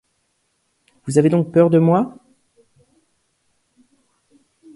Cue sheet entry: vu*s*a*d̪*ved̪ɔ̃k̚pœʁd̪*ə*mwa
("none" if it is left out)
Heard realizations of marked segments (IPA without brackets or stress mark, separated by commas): z, none, ə